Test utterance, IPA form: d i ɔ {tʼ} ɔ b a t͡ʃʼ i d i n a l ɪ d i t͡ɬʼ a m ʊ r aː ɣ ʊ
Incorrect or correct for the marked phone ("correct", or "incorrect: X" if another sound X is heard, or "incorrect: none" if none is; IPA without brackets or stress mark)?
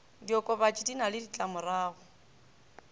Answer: incorrect: kʼ